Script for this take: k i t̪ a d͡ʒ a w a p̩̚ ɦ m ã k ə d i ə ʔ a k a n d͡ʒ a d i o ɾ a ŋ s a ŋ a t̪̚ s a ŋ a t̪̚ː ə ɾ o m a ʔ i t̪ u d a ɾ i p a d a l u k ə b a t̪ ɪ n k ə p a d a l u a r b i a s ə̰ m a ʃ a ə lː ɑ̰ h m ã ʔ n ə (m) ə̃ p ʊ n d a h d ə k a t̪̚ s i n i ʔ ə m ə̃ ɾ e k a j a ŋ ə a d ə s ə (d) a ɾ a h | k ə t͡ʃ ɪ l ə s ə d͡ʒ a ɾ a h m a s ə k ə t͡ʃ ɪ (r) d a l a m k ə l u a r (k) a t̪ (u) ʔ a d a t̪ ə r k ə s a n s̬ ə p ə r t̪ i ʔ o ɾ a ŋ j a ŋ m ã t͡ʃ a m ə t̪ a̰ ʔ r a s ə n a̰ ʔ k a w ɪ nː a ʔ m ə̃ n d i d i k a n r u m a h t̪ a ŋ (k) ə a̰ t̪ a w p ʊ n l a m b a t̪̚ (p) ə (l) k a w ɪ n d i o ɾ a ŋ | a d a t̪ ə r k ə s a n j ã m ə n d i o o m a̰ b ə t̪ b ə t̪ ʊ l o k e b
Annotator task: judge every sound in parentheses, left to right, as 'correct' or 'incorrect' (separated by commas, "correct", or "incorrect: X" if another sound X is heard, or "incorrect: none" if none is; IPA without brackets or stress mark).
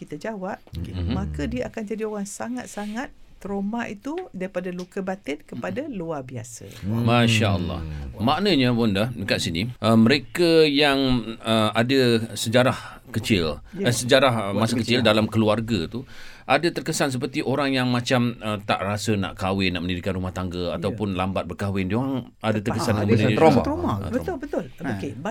incorrect: ɲ, incorrect: d͡ʒ, incorrect: l, incorrect: ɡ, correct, incorrect: ɡ, incorrect: b, incorrect: r